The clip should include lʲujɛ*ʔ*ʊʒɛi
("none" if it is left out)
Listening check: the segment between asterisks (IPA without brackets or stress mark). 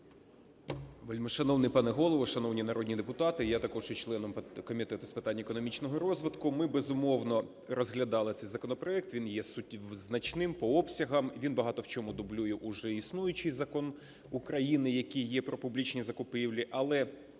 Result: ʔ